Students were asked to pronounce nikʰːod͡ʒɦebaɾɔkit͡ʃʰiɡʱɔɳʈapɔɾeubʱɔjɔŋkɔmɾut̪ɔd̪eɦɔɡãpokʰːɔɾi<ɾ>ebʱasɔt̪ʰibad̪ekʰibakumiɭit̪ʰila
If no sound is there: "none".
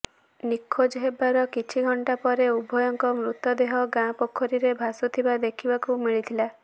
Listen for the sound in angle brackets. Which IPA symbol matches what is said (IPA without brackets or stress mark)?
ɾ